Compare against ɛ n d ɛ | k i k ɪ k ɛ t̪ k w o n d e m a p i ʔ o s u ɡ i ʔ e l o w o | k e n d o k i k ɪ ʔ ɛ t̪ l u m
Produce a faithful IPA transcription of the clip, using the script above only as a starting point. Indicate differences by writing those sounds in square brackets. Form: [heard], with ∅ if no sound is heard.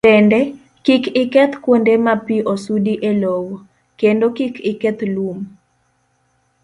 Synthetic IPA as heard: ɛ n d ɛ | k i k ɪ k ɛ t̪ k w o n d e m a p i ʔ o s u [d] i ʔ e l o w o | k e n d o k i k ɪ [k] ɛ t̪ l u m